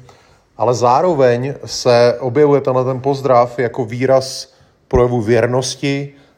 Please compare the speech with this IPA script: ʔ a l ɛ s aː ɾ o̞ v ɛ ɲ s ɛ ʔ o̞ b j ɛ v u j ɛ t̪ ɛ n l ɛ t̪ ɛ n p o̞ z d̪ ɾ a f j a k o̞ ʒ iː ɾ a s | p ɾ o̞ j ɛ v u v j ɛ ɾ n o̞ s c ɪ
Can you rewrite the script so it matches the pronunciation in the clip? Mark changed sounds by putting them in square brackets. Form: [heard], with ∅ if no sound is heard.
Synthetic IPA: ʔ a l ɛ [z] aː ɾ o̞ v ɛ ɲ s ɛ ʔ o̞ b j ɛ v u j ɛ t̪ ɛ n l ɛ t̪ ɛ n p o̞ z d̪ ɾ a f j a k o̞ [v] iː ɾ a s | p ɾ o̞ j ɛ v u v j ɛ ɾ n o̞ s c ɪ